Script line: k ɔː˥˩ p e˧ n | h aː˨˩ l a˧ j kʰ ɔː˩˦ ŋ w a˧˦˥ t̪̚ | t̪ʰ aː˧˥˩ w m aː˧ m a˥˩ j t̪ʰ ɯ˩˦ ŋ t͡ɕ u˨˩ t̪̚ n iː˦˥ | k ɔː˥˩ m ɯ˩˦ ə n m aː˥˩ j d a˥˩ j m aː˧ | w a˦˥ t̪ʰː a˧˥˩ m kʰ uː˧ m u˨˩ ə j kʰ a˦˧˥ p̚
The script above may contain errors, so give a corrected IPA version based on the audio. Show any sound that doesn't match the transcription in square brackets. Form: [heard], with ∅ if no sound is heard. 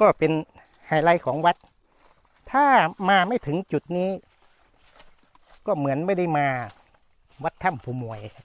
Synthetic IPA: k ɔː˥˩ p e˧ n | h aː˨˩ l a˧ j kʰ ɔː˩˦ ŋ w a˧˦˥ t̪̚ | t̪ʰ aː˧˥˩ [∅] m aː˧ m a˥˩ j t̪ʰ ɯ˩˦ ŋ t͡ɕ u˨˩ t̪̚ n iː˦˥ | k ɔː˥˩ m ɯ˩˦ ə n m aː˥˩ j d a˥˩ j m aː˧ | w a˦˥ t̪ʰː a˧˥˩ m [pʰ] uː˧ m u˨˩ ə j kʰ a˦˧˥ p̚